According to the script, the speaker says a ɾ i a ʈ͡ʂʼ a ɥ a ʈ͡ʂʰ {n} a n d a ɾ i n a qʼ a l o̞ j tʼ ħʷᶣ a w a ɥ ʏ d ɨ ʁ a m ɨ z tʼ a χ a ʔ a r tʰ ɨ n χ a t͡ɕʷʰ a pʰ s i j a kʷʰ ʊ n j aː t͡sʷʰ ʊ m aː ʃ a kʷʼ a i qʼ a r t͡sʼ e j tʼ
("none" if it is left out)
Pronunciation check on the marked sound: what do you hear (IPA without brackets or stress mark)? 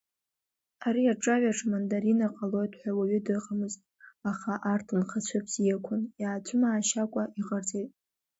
m